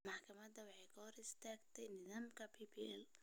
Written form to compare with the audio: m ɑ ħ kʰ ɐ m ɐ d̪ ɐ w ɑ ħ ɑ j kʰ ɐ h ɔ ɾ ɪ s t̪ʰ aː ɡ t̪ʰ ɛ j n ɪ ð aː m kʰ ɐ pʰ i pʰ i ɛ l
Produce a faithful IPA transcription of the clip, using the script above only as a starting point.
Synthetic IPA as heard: m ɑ ħ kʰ ɐ m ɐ d̪ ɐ w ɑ ħ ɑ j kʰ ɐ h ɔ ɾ ɪ s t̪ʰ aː ɡ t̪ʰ ɛ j n ɪ ð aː m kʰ ɐ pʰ i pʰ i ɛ l